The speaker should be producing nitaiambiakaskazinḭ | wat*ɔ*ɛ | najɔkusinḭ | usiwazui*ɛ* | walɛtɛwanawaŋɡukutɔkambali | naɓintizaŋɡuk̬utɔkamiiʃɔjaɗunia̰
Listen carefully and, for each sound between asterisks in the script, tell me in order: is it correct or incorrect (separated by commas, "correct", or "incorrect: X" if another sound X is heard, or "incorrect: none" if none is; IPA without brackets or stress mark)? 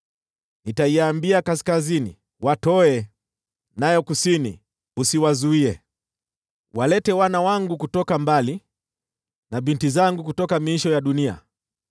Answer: correct, correct